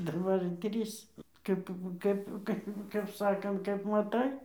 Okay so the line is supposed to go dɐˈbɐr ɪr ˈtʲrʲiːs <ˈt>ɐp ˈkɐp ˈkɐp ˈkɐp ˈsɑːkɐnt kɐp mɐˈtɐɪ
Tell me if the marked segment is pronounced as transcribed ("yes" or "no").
no